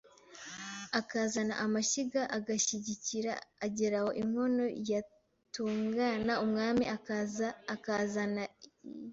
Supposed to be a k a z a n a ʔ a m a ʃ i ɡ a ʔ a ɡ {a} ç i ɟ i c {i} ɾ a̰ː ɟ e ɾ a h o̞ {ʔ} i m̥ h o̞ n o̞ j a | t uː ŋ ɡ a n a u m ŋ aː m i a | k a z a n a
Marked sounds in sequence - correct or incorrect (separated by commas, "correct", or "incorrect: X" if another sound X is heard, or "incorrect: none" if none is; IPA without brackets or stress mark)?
correct, correct, correct